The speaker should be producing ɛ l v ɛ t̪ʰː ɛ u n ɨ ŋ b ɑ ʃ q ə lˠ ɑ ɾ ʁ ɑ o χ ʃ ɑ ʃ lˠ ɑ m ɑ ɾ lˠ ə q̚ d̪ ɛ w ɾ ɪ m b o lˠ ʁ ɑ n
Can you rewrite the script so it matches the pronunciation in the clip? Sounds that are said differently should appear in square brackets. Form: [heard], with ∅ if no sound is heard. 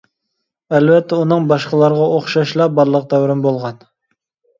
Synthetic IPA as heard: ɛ l v ɛ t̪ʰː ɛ u n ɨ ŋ b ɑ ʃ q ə lˠ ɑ ɾ ʁ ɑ o χ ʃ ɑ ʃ lˠ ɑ [b] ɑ ɾ lˠ ə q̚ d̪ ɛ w ɾ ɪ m b o lˠ ʁ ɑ n